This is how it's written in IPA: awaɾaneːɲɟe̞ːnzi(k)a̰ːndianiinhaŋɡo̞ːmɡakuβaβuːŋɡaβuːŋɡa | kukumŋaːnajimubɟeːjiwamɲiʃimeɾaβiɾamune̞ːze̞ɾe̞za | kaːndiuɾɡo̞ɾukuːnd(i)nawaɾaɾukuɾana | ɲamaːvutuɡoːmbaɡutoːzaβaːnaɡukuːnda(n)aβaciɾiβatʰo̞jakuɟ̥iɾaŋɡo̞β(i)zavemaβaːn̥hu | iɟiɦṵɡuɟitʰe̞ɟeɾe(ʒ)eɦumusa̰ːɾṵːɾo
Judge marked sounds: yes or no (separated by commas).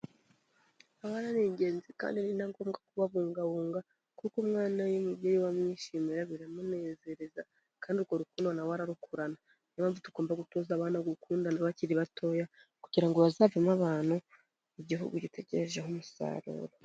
yes, no, yes, no, yes